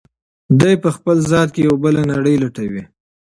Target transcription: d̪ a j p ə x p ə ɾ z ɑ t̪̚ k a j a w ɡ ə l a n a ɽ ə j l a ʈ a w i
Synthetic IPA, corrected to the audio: d̪ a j p ə x p ə l z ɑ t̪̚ k e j a w b ə l a n a ɽ ə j l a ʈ a w i